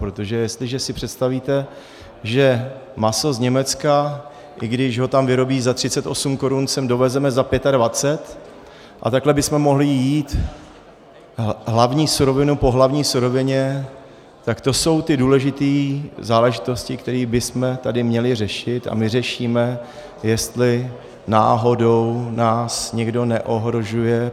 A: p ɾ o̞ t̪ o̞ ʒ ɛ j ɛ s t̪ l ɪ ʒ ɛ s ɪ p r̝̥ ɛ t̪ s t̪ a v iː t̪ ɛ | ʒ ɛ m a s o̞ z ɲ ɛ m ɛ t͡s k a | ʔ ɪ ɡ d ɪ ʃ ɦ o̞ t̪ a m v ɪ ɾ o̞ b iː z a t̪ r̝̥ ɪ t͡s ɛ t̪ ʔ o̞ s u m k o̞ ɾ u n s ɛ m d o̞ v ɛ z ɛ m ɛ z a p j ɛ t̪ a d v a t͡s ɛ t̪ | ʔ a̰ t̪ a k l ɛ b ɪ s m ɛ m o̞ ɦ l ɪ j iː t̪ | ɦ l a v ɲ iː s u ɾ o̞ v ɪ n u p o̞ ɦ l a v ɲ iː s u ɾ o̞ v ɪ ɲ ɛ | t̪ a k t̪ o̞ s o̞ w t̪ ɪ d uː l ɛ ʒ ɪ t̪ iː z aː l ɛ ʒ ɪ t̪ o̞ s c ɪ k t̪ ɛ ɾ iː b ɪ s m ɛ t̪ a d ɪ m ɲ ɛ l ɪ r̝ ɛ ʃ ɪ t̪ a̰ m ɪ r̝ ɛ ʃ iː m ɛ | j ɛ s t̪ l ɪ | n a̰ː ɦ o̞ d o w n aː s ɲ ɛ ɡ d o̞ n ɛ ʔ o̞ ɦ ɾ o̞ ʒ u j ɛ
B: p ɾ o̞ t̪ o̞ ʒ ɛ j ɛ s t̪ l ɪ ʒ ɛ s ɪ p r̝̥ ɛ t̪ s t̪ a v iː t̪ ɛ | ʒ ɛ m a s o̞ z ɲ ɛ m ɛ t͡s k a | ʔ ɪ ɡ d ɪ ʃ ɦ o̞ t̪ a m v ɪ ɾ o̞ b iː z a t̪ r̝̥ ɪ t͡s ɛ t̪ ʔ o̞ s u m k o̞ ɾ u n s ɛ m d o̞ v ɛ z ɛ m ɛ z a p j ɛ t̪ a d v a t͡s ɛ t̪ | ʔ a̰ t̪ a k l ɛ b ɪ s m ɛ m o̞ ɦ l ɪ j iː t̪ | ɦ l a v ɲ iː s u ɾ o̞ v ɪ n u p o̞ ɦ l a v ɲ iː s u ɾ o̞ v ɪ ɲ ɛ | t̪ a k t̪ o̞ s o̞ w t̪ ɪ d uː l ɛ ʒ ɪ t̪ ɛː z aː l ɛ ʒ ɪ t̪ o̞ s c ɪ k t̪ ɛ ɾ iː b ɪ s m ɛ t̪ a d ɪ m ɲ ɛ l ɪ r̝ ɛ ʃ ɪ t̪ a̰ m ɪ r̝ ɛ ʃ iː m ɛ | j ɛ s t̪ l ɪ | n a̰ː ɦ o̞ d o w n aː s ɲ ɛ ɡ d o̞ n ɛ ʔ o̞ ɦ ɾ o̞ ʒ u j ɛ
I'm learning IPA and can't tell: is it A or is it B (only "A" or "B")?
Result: A